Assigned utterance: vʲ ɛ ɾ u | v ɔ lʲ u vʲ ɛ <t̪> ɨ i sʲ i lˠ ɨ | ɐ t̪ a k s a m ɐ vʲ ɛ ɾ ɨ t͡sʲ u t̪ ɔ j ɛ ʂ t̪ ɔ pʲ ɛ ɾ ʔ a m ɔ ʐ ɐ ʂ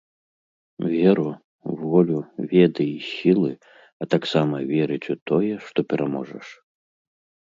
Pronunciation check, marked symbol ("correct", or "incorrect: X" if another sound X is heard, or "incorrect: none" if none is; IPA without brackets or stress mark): incorrect: d̪